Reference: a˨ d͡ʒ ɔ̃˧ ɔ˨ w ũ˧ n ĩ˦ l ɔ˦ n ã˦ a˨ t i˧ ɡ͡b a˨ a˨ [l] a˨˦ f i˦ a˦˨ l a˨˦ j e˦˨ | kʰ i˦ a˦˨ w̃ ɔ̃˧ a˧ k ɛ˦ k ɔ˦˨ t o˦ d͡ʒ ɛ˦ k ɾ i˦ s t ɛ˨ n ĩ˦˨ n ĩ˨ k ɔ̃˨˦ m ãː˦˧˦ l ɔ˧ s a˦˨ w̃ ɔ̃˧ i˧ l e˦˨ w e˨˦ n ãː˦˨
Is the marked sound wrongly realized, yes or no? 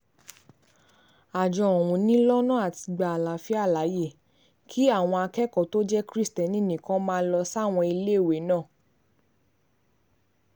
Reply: no